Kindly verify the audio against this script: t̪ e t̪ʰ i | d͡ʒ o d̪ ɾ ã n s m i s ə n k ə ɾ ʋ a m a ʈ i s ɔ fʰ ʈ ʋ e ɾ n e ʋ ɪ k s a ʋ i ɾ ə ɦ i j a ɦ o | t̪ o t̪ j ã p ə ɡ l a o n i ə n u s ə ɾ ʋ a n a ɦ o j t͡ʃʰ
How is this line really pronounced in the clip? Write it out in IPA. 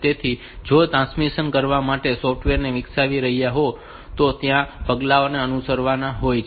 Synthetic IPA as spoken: t̪ e t̪ʰ i | d͡ʒ o t̪ ɾ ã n s m i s ə n k ə ɾ ʋ a m a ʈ e s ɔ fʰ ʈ ʋ e ɾ n e ʋ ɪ k s a ʋ i ɾ ə ɦ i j a ɦ o | t̪ o t̪ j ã p ə ɡ l a o n e ə n u s ə ɾ ʋ a n a ɦ o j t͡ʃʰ